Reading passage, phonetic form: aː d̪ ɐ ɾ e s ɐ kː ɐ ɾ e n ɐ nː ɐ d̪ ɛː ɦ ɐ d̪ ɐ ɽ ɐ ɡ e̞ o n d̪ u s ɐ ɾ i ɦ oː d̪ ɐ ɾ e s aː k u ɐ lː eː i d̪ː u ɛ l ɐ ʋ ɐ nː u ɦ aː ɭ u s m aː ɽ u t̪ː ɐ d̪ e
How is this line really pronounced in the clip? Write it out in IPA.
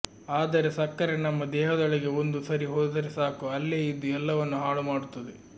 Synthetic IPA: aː d̪ ɐ ɾ e s ɐ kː ɐ ɾ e n ɐ mː ɐ d̪ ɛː ɦ ɐ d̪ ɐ ɭ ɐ ɡ e̞ o n d̪ u s ɐ ɾ i ɦ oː d̪ ɐ ɾ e s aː k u ɐ lː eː i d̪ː u ɛ lː ɐ ʋ ɐ nː u ɦ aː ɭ u m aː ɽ u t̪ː ɐ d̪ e